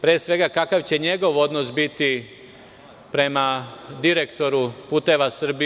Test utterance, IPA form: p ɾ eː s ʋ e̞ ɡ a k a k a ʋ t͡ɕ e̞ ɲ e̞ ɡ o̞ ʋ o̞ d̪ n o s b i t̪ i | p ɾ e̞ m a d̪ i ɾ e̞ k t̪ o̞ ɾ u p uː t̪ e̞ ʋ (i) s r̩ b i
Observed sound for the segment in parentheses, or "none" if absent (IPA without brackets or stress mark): a